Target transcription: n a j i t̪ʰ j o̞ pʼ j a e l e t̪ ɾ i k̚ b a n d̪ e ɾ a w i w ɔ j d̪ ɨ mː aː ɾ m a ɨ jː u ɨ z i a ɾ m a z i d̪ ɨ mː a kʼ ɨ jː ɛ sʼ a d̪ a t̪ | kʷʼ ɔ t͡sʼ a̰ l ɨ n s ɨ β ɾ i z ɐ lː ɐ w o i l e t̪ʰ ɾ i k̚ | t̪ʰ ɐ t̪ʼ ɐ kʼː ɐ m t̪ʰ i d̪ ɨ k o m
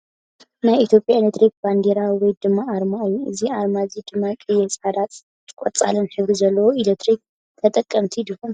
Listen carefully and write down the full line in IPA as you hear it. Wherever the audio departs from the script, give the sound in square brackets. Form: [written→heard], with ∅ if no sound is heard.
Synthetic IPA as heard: n a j i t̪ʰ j o̞ pʼ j a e l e t̪ ɾ i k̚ b a n d̪ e ɾ a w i w ɔ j d̪ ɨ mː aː ɾ m a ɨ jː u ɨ z i a ɾ m a z i d̪ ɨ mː a kʼ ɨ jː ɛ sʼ a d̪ a t̪ | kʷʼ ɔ t͡sʼ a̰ l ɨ n [s→ħ] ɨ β ɾ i z ɐ lː ɐ w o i l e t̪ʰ ɾ i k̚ | t̪ʰ ɐ t̪ʼ ɐ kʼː ɐ m t̪ʰ i d̪ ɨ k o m

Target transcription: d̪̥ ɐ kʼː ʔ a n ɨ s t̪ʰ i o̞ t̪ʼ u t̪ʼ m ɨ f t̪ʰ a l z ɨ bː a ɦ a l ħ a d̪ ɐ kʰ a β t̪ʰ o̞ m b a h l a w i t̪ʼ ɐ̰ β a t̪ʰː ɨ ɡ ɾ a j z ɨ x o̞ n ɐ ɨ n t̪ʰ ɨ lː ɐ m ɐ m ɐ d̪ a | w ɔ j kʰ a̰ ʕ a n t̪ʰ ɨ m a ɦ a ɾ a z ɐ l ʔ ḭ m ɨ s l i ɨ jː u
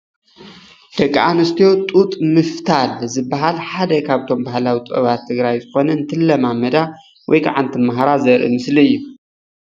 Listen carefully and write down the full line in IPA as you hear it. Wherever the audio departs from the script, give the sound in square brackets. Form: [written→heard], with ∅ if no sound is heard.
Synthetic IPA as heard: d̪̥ ɐ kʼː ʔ a n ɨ s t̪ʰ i o̞ t̪ʼ u t̪ʼ m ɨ f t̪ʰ a l z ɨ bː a ɦ a l ħ a d̪ ɐ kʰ a β t̪ʰ o̞ m b a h l a w i t̪ʼ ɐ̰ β a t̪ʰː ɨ ɡ ɾ a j z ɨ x o̞ n ɐ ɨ n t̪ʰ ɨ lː ɐ m [ɐ→a] m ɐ d̪ a | w ɔ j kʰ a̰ ʕ a n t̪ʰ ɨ m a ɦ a ɾ a z ɐ [l→ɾ] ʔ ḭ m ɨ s l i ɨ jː u

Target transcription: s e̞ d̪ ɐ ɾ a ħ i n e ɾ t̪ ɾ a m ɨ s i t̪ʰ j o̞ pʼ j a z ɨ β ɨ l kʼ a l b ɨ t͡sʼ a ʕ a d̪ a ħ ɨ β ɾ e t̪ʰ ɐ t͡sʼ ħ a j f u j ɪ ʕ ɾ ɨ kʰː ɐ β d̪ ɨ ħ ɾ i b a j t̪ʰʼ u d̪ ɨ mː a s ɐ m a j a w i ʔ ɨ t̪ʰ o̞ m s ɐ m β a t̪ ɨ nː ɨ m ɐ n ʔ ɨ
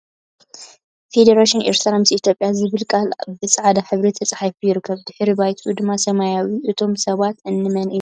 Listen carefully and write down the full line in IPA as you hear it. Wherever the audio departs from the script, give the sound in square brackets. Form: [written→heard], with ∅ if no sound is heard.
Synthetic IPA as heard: [s→f] e̞ d̪ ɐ ɾ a [ħ→ʃ] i n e ɾ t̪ ɾ a m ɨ s i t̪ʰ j o̞ pʼ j a z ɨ β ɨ l kʼ a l b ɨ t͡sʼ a ʕ a d̪ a ħ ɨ β ɾ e t̪ʰ ɐ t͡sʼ ħ a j f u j ɪ [ʕ→∅] ɾ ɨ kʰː ɐ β d̪ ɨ ħ ɾ i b a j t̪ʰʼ u d̪ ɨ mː a s ɐ m a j a w i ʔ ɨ t̪ʰ o̞ m s ɐ [m→∅] β a t̪ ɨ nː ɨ m ɐ n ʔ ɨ

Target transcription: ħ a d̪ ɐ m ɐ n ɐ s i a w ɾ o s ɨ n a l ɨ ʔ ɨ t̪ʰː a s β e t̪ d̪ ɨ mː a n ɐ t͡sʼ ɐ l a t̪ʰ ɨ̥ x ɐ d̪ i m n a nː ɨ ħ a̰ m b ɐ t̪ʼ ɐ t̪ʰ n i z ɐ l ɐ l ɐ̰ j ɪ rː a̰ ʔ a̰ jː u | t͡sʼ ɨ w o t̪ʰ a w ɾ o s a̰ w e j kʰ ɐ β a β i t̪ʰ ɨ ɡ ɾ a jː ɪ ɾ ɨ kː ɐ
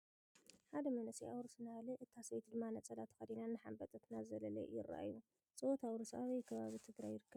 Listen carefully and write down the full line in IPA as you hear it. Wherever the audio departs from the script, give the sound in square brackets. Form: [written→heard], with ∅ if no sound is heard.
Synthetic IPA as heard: ħ a d̪ ɐ m ɐ n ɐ s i a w ɾ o s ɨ n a l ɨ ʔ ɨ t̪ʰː a s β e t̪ d̪ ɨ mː a n ɐ t͡sʼ ɐ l a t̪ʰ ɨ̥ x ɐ d̪ i [m→∅] n a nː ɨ ħ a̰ m b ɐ t̪ʼ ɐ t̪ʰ n [i→a] z ɐ l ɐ l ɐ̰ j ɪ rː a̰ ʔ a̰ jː u | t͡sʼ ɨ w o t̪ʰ a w ɾ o s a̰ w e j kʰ ɐ β a β i t̪ʰ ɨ ɡ ɾ a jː ɪ ɾ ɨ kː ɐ

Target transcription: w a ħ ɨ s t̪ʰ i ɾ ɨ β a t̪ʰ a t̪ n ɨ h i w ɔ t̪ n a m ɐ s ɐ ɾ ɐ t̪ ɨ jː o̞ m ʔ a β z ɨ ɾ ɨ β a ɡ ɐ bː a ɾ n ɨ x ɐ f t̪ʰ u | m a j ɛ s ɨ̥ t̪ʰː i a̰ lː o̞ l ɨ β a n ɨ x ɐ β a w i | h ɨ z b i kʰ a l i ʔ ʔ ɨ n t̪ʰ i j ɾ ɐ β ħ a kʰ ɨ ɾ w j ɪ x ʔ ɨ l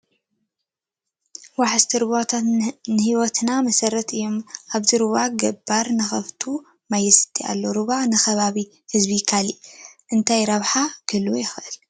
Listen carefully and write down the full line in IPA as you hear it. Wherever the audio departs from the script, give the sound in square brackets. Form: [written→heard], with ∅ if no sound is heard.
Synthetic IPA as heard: w a ħ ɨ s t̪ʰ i ɾ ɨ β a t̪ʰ a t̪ n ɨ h i w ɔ t̪ n a m ɐ s ɐ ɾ ɐ t̪ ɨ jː o̞ m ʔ a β z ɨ ɾ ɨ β a ɡ ɐ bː a ɾ n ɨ x ɐ f t̪ʰ u | m a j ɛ s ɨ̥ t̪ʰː i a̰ lː o̞ [l→ɾ] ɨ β a n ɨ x ɐ β a [w→β] i | h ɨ z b i kʰ a l i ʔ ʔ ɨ n t̪ʰ [i→a] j ɾ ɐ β ħ a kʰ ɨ [ɾ→l] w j ɪ x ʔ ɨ l

